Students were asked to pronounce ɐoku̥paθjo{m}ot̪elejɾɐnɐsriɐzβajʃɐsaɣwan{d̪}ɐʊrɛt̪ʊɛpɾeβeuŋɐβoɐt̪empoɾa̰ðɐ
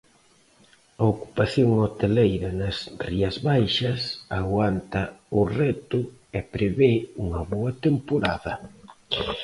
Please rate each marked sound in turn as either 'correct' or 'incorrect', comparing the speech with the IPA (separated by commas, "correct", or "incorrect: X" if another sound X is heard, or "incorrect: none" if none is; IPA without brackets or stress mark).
incorrect: ŋ, incorrect: t̪